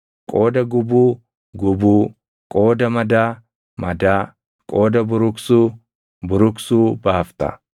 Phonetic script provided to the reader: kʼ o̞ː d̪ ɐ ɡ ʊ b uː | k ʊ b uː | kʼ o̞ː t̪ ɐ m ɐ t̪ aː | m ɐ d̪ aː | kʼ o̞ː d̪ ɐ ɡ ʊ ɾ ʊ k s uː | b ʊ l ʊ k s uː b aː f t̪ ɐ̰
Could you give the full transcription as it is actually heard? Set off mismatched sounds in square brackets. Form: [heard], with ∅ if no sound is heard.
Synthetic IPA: kʼ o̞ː d̪ ɐ ɡ ʊ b uː | [ɡ] ʊ b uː | kʼ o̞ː [d̪] ɐ m ɐ [d̪] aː | m ɐ d̪ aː | kʼ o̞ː d̪ ɐ [b] ʊ ɾ ʊ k s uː | b ʊ [ɾ] ʊ k s uː b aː f t̪ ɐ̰

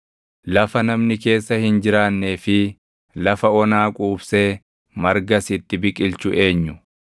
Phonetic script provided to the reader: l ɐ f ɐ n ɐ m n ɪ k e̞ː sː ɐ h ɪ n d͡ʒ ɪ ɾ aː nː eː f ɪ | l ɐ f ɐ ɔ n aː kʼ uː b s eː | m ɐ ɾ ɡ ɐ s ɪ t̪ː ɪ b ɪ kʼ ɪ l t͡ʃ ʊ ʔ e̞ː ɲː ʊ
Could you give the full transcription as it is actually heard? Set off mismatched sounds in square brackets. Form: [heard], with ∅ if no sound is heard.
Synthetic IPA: l ɐ f ɐ n ɐ m n ɪ k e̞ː sː ɐ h ɪ n d͡ʒ ɪ ɾ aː nː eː f ɪ | l ɐ f ɐ ɔ n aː kʼ uː b s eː | m ɐ ɾ ɡ ɐ s ɪ t̪ː ɪ b ɪ kʼ ɪ l t͡ʃ ʊ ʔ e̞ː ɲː ʊ

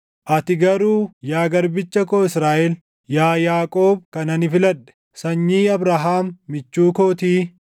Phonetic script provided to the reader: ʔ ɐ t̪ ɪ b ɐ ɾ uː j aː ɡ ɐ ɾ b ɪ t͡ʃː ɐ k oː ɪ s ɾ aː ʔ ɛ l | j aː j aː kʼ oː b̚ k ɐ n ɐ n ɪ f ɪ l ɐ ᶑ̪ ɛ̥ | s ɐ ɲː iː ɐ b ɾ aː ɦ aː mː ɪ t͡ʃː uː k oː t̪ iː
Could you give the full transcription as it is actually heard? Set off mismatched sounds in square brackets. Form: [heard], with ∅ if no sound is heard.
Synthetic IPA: ʔ ɐ t̪ ɪ [ɡ] ɐ ɾ uː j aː ɡ ɐ ɾ b ɪ t͡ʃː ɐ k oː ɪ s ɾ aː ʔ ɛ l | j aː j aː kʼ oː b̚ k ɐ n ɐ n ɪ f ɪ l ɐ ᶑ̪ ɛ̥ | s ɐ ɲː iː ɐ b ɾ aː ɦ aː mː ɪ t͡ʃː uː k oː t̪ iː

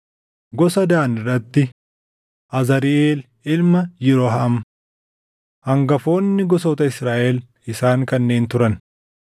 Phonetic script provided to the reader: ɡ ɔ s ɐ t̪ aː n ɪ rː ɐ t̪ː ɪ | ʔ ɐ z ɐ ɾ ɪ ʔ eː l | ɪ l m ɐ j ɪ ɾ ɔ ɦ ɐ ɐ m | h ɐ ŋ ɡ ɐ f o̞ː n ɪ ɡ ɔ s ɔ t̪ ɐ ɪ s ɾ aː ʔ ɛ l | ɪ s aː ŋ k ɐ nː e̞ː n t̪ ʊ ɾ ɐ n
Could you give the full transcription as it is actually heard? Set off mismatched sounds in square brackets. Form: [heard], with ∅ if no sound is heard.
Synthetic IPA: ɡ ɔ s ɐ [d̪] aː n ɪ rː ɐ t̪ː ɪ | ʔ ɐ z ɐ ɾ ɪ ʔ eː l | ɪ l m ɐ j ɪ ɾ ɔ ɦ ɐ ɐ m | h ɐ ŋ ɡ ɐ f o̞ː [nː] ɪ ɡ ɔ s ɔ t̪ ɐ ɪ s ɾ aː ʔ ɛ l | ɪ s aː ŋ k ɐ nː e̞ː n t̪ ʊ ɾ ɐ n

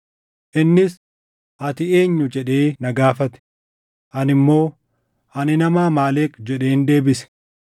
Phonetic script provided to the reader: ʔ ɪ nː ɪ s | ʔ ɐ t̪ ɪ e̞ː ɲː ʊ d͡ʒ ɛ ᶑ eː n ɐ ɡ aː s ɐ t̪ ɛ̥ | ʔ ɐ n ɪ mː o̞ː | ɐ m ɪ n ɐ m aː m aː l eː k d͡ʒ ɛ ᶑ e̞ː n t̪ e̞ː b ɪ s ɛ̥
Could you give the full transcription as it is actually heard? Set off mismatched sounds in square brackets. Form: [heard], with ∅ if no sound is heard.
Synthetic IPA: ʔ ɪ nː ɪ s | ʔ ɐ t̪ ɪ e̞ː ɲː ʊ d͡ʒ ɛ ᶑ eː n ɐ ɡ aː [f] ɐ t̪ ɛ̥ | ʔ ɐ n ɪ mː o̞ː | ɐ [n] ɪ n ɐ m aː m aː l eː k d͡ʒ ɛ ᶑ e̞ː n [d̪] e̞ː b ɪ s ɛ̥

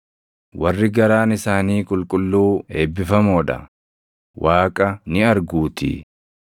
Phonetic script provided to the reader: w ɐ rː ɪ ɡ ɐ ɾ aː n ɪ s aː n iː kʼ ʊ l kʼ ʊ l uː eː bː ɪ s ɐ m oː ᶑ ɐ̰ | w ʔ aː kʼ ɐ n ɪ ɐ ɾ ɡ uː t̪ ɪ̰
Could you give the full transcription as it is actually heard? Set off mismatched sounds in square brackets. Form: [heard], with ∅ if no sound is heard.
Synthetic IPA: w ɐ rː ɪ ɡ ɐ ɾ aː n ɪ s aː n iː kʼ ʊ l kʼ ʊ [lː] uː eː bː ɪ [f] ɐ m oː ᶑ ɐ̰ | w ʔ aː kʼ ɐ n ɪ ɐ ɾ ɡ uː t̪ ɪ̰

